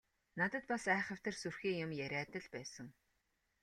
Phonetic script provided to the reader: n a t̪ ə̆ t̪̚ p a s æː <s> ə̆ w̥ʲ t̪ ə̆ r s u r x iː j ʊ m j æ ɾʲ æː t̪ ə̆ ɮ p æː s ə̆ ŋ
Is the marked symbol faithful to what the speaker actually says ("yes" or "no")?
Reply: no